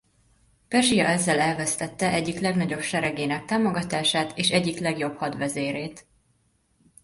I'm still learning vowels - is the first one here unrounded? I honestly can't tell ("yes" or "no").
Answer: yes